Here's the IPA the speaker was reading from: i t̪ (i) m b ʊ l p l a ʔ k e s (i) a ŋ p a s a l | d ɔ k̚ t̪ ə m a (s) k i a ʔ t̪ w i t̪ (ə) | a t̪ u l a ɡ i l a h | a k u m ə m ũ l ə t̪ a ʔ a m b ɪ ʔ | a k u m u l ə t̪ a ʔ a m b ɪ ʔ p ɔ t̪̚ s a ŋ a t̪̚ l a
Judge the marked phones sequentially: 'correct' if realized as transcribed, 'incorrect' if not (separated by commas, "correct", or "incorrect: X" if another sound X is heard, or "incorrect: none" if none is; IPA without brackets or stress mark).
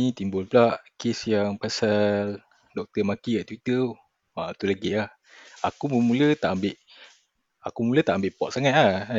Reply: correct, incorrect: j, incorrect: none, correct